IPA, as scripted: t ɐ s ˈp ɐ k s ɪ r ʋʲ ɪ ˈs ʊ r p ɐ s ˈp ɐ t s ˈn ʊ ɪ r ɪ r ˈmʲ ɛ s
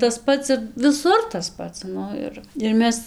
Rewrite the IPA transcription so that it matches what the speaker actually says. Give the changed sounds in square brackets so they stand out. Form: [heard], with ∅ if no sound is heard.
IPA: t ɐ s ˈp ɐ [t] s ɪ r ʋʲ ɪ ˈs ʊ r [t] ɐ s ˈp ɐ t s ˈn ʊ ɪ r ɪ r ˈmʲ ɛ s